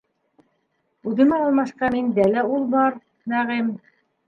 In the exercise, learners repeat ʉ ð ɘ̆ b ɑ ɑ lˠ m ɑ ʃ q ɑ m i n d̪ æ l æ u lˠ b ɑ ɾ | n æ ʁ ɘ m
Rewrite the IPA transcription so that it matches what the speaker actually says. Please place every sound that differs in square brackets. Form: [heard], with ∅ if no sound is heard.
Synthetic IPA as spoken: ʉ ð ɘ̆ [m] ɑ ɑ lˠ m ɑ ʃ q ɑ m i n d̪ æ l æ u lˠ b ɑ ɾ | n æ ʁ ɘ m

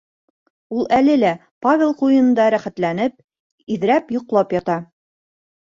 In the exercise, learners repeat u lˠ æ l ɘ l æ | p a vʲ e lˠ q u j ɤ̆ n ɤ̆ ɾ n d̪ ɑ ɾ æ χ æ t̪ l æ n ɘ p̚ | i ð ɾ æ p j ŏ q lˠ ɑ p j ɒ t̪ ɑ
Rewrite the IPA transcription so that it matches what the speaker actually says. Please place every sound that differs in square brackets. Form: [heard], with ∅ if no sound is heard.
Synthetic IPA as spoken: u lˠ æ l ɘ l æ | p a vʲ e lˠ q u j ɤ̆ n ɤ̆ [∅] n d̪ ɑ ɾ æ χ æ t̪ l æ n ɘ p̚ | i ð ɾ æ p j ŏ q lˠ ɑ p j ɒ t̪ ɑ

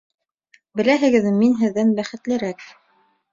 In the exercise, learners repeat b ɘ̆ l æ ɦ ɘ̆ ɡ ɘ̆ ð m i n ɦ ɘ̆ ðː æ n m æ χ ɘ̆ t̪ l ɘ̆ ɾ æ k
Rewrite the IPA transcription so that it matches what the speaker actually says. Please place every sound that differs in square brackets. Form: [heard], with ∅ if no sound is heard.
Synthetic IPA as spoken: b ɘ̆ l æ ɦ ɘ̆ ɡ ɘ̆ ð m i n ɦ ɘ̆ ðː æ n [b] æ χ ɘ̆ t̪ l ɘ̆ ɾ æ k

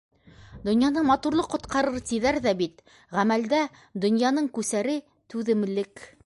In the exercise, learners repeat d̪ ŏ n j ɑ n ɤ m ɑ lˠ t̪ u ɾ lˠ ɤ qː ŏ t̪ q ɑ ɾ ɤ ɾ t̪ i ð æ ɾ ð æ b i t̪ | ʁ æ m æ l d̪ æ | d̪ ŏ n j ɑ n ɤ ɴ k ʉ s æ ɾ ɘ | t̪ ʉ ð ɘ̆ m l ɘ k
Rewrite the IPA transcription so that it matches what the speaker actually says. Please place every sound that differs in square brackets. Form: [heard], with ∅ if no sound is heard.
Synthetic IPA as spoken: d̪ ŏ n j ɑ n ɤ m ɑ [∅] t̪ u ɾ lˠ ɤ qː ŏ t̪ q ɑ ɾ ɤ ɾ t̪ i ð æ ɾ ð æ b i t̪ | ʁ æ m æ l d̪ æ | d̪ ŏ n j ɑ n ɤ ɴ k ʉ s æ ɾ ɘ | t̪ ʉ ð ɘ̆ m l ɘ k

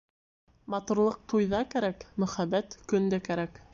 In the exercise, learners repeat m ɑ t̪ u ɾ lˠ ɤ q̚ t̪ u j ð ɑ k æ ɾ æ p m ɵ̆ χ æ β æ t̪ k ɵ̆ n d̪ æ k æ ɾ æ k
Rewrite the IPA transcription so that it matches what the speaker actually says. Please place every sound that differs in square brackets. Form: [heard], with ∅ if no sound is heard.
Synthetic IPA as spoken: m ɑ t̪ u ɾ lˠ ɤ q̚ t̪ u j ð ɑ k æ ɾ æ [k] m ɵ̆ χ æ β æ t̪ k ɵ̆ n d̪ æ k æ ɾ æ k

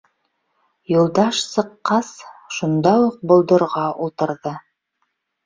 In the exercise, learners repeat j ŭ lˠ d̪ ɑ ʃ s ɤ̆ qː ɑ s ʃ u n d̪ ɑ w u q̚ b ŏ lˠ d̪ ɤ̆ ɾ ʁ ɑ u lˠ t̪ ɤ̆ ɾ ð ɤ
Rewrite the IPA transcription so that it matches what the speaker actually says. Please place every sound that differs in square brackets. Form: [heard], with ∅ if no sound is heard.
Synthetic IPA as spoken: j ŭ lˠ d̪ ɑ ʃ s ɤ̆ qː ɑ s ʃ u n d̪ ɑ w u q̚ b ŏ lˠ d̪ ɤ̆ ɾ ʁ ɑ u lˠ t̪ ɤ̆ ɾ ð ɤ

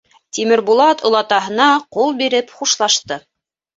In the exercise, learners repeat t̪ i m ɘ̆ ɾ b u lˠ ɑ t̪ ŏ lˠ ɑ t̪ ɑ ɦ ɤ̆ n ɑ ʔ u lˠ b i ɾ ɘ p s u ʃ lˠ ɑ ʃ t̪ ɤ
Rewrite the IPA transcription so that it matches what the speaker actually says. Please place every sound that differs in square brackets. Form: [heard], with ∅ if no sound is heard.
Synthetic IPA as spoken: t̪ i m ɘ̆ ɾ b u lˠ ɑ t̪ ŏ lˠ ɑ t̪ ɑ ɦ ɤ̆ n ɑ [q] u lˠ b i ɾ ɘ p [χ] u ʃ lˠ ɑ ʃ t̪ ɤ

